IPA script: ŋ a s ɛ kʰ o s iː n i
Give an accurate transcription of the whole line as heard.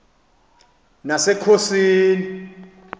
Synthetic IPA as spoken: n a s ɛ kʰ o s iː n i